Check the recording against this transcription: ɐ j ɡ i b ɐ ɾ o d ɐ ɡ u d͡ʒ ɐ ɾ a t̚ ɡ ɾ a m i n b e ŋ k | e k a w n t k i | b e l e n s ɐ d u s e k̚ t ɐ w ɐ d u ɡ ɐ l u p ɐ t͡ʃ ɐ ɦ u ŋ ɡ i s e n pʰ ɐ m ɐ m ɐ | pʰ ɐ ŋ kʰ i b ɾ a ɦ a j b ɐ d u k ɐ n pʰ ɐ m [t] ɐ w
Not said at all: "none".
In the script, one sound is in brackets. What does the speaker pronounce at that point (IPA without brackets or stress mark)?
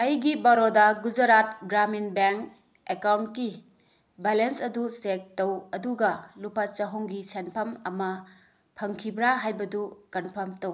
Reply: t